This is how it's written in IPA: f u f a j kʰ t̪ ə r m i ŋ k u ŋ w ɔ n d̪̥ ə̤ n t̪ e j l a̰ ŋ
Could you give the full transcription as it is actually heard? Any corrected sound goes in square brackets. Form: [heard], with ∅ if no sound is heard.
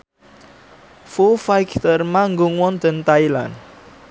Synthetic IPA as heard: f u f a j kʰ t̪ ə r m [a] ŋ [ɡ] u ŋ w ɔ n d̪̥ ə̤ n t̪ [a] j l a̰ [n]

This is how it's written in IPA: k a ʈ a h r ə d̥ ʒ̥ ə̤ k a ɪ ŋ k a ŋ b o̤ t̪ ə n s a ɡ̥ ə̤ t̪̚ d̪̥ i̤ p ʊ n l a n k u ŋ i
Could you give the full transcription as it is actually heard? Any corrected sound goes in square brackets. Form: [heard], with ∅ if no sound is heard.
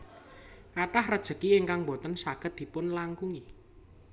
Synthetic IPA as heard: k a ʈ a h r ə d̥ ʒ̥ ə̤ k [i] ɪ ŋ k a ŋ b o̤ t̪ ə n s a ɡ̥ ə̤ t̪̚ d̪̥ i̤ p ʊ n l a [ŋ] k u ŋ i

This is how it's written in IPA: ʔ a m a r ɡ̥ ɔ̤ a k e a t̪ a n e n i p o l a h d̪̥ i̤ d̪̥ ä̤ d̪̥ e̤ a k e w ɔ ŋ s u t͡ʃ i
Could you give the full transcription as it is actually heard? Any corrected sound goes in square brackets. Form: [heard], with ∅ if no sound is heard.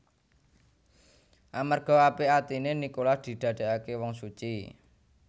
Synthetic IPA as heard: ʔ a m a r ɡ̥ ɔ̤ a [p] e a t̪ [i] n e n i [k] o l a h d̪̥ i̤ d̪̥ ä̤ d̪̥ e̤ a k e w ɔ ŋ s u t͡ʃ i

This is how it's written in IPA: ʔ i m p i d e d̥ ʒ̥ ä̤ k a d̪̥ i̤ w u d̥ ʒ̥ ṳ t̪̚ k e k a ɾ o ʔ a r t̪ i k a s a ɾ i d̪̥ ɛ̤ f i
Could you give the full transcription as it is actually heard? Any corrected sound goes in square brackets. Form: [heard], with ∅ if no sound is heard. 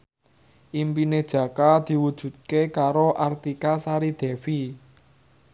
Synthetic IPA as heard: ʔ i m p i [n] e d̥ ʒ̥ ä̤ k a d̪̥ i̤ w u d̥ ʒ̥ ṳ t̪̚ k e k a ɾ o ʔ a r t̪ i k a s a ɾ i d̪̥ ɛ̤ f i

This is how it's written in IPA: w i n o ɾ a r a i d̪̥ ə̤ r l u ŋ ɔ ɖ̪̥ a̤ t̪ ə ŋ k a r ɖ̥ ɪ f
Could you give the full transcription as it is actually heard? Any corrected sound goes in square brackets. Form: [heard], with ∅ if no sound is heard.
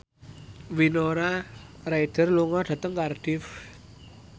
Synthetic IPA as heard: w i n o ɾ a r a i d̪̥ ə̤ r l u ŋ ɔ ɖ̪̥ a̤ t̪ ə ŋ k a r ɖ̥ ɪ f

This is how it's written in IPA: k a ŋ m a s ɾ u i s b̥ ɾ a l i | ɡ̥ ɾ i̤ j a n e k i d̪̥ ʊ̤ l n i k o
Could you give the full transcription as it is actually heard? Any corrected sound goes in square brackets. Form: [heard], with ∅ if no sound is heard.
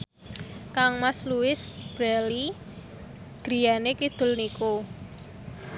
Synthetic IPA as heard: k a ŋ m a s [l] u [ɪ] s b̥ ɾ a l i | ɡ̥ ɾ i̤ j a n e k i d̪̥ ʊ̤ l n i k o

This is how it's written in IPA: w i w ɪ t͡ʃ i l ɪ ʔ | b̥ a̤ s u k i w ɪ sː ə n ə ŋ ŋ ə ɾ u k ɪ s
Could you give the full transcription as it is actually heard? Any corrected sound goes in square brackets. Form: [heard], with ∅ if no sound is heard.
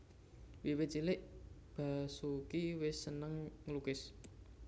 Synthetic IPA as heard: w i w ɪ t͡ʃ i l ɪ ʔ | b̥ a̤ s u k i w ɪ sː ə n ə ŋ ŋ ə [l] u k ɪ s

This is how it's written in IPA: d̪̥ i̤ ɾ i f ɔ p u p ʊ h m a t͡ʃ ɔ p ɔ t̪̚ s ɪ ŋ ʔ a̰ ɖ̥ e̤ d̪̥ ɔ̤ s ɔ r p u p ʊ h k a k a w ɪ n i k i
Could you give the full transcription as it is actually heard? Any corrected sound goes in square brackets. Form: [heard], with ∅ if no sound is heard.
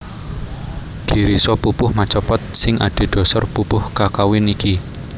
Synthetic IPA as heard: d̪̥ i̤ ɾ i [s] ɔ p u p ʊ h m a t͡ʃ ɔ p ɔ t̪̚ s ɪ ŋ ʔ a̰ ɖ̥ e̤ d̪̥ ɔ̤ s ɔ r p u p ʊ h k a k a w ɪ n i k i

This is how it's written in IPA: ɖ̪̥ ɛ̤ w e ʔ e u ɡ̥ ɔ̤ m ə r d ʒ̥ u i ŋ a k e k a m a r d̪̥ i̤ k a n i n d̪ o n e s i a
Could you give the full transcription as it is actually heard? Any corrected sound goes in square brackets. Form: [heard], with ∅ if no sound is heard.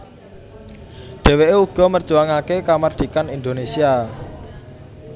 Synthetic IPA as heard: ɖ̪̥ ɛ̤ w e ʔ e u ɡ̥ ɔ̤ m ə r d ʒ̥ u [a] ŋ a k e k a m a r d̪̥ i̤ k a n i n d̪ o n e s i a

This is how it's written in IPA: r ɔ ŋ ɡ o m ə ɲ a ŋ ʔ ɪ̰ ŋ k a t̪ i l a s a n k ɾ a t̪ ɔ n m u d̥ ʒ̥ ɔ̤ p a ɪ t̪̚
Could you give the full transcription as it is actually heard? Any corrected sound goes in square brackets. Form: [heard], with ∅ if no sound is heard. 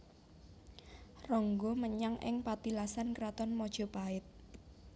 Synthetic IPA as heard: r ɔ ŋ ɡ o m ə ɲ a ŋ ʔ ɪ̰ ŋ [p] a t̪ i l a s a n k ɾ a t̪ ɔ n m [ɔ] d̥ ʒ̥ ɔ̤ p a ɪ t̪̚

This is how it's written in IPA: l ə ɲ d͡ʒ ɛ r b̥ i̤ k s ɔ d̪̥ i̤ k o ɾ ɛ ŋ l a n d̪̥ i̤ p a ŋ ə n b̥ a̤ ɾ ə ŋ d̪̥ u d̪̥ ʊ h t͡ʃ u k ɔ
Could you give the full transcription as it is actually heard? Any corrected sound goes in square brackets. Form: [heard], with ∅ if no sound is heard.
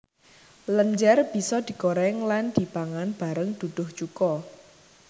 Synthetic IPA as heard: l ə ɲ d͡ʒ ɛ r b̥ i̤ [∅] s ɔ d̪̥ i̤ k o ɾ ɛ ŋ l a n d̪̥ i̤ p a ŋ [a] n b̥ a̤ ɾ ə ŋ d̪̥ u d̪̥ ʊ h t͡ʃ u k ɔ

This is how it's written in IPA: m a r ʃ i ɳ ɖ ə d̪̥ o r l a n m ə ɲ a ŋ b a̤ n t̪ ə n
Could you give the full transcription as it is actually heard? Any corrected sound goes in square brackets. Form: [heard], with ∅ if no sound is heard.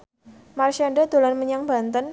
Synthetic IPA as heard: m a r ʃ [a] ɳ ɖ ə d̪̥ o [∅] l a n m ə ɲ a ŋ b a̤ n t̪ ə n

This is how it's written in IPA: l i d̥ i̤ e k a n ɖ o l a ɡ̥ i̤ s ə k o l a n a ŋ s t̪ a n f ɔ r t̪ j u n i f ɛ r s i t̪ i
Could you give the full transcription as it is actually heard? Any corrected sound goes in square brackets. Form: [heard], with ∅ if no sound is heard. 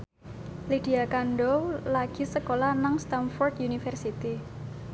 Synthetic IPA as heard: l i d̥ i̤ [a] k a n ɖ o l a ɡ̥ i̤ s ə k o l a n a ŋ s t̪ a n f ɔ r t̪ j u n i f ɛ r s i t̪ i

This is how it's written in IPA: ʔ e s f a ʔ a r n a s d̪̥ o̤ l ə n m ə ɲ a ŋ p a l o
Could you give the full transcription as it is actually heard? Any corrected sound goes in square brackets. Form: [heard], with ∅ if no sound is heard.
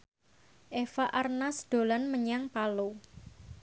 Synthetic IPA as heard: ʔ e [∅] f a ʔ a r n a s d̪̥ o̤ l [a] n m ə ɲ a ŋ p a l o

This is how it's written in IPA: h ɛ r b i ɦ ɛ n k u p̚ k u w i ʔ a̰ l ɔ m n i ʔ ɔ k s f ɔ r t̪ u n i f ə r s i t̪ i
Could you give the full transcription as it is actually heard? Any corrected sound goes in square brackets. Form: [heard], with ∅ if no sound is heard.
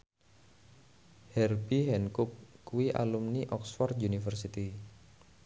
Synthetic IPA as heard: h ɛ r b i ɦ ɛ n k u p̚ k u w i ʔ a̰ l [u] m n i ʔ ɔ k s f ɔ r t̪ u n i f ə r s i t̪ i

